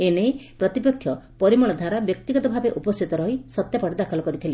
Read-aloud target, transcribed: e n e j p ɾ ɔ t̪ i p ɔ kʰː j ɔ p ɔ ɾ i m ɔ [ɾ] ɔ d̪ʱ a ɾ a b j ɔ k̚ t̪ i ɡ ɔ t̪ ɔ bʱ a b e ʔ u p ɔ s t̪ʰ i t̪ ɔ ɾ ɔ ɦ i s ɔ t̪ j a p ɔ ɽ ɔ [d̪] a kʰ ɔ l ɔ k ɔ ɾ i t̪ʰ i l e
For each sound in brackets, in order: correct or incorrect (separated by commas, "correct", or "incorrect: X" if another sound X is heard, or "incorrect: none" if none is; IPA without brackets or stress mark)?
incorrect: ɭ, correct